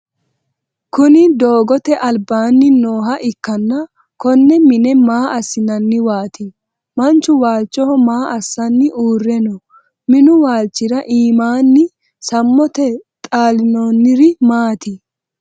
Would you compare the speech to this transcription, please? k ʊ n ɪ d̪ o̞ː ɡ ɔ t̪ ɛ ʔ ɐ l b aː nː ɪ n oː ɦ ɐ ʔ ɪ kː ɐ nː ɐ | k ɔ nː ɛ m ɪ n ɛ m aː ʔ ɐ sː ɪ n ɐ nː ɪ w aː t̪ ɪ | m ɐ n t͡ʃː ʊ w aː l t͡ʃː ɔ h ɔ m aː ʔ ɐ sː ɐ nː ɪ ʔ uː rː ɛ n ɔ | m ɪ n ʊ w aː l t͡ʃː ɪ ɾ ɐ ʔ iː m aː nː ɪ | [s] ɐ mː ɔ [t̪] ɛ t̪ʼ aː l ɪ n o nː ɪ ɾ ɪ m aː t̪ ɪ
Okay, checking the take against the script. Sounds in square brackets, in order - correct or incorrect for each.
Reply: correct, correct

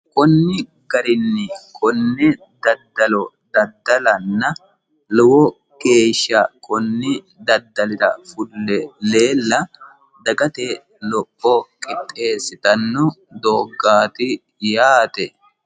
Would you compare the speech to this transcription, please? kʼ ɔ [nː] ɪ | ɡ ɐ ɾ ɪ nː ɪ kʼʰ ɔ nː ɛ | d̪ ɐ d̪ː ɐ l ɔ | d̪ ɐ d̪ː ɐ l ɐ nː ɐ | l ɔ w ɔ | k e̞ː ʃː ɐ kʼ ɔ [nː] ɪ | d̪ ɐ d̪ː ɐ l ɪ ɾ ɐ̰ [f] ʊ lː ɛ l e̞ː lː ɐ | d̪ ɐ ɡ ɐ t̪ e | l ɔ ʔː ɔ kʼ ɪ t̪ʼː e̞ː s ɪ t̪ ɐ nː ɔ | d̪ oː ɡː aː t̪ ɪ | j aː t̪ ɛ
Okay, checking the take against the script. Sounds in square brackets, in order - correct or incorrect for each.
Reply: correct, correct, correct

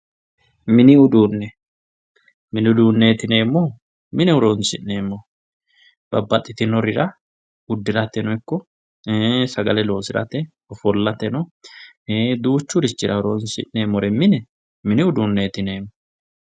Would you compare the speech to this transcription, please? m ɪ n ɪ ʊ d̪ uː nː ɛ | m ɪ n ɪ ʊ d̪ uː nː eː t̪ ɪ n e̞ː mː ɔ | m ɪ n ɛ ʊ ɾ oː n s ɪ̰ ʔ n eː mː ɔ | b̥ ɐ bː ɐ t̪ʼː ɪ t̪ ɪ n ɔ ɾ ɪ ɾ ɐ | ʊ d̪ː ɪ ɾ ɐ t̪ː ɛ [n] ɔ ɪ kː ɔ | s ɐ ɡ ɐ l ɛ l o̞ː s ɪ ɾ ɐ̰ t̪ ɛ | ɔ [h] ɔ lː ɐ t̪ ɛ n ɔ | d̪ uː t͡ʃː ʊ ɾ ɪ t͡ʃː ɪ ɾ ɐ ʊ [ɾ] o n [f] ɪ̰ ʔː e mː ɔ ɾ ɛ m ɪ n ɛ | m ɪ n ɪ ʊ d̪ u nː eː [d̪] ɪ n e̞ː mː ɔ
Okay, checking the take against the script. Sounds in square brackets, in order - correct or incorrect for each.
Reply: correct, incorrect: f, correct, incorrect: s, incorrect: t̪

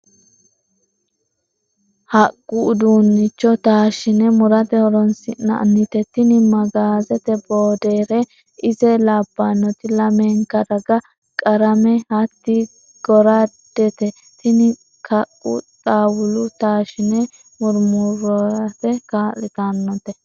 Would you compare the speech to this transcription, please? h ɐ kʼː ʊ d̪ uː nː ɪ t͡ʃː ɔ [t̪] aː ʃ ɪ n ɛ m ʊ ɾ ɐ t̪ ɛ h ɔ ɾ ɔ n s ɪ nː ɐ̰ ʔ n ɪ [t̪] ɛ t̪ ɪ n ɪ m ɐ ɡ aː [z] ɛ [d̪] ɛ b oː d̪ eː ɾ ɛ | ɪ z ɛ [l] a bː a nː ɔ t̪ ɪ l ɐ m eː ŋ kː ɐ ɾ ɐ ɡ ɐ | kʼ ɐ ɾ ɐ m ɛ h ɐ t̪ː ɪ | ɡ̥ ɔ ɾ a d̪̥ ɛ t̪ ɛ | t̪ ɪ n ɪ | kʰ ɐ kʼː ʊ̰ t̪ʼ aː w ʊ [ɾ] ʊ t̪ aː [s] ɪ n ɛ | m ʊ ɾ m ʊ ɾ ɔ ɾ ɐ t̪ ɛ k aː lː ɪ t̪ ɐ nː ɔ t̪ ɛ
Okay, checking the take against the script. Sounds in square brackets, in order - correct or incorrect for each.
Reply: correct, correct, correct, incorrect: t̪, correct, incorrect: l, incorrect: ʃ

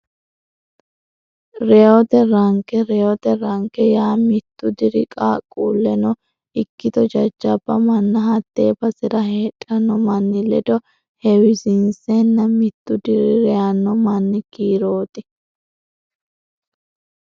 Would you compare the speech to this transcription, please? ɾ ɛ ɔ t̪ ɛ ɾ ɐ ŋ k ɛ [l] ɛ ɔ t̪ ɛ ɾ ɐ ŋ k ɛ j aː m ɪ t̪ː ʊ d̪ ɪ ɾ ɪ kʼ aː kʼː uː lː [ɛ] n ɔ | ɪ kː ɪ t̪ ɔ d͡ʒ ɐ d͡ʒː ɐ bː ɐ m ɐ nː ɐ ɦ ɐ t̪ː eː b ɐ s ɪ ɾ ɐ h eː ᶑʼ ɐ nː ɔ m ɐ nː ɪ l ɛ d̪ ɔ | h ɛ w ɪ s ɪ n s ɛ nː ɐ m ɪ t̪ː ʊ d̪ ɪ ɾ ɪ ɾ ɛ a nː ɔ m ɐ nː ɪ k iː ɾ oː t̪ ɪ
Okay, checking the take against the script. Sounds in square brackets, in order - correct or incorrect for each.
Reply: incorrect: ɾ, correct

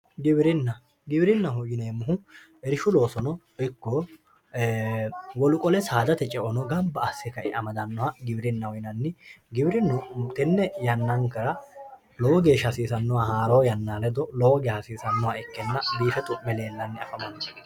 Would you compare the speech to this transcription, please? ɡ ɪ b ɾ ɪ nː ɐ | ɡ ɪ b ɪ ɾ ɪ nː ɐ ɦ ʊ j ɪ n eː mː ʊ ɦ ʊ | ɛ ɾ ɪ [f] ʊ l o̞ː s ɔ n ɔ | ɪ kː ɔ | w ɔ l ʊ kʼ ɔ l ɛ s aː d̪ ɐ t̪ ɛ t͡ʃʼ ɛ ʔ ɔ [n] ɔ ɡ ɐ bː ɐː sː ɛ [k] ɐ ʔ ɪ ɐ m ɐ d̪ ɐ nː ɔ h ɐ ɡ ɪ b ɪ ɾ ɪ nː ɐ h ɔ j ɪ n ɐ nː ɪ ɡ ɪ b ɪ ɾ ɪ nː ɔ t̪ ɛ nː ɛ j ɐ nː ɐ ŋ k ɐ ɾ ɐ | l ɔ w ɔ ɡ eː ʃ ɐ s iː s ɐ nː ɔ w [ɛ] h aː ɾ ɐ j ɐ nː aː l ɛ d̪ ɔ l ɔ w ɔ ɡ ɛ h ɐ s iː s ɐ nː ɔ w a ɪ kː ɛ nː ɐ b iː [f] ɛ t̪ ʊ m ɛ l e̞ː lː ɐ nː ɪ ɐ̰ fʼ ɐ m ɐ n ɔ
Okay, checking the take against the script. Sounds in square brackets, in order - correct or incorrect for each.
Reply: incorrect: ʃ, correct, correct, incorrect: a, correct

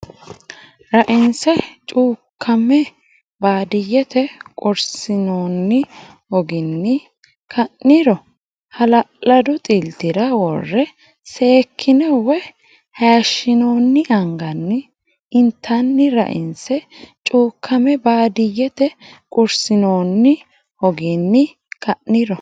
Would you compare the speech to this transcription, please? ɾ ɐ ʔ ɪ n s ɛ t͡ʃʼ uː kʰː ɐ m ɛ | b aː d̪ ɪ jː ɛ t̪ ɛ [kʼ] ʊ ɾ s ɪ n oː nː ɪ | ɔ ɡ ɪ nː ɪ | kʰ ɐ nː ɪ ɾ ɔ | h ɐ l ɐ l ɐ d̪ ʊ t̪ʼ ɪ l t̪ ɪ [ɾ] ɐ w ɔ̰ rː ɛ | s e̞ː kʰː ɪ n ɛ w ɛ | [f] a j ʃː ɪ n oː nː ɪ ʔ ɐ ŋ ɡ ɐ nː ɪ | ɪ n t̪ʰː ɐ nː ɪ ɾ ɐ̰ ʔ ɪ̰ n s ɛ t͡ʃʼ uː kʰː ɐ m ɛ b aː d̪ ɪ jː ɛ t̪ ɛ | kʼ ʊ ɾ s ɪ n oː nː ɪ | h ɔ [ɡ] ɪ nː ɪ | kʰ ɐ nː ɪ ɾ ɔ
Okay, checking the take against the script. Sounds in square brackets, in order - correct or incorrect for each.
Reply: correct, correct, incorrect: h, correct

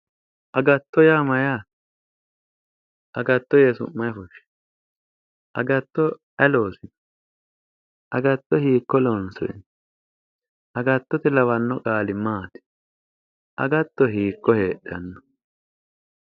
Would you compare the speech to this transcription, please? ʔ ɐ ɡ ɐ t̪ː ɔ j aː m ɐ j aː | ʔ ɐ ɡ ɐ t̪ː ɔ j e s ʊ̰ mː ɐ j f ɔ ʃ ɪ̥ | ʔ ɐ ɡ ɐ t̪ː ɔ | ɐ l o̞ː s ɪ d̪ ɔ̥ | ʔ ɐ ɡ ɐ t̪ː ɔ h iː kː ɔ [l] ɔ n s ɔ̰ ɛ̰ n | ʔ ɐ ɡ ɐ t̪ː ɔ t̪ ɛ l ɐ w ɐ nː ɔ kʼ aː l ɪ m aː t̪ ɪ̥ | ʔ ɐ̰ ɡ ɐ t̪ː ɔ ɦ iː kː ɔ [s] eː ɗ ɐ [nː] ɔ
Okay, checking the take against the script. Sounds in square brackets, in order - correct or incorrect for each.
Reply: correct, incorrect: h, correct

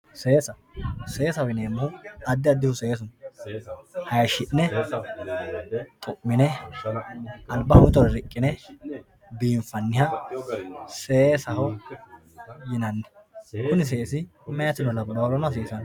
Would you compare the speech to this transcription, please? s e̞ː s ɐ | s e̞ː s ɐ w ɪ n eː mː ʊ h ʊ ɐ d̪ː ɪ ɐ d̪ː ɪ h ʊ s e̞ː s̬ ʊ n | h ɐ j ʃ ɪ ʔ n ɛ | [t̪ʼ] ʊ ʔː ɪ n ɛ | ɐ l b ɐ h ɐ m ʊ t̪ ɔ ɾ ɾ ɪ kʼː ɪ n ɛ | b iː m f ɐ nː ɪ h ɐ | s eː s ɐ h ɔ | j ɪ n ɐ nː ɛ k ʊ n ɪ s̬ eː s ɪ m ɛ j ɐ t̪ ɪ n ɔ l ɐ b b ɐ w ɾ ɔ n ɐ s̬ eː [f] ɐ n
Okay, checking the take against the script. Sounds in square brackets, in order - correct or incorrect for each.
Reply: correct, incorrect: s

